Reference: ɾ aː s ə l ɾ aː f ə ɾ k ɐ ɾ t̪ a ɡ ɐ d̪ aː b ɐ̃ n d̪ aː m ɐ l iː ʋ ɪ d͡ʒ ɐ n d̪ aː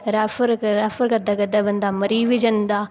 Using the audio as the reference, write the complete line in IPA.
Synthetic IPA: ɾ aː f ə ɾ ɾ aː f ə ɾ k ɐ ɾ d̪ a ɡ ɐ d̪ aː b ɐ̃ n d̪ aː m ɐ ɾ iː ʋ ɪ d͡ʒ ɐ n d̪ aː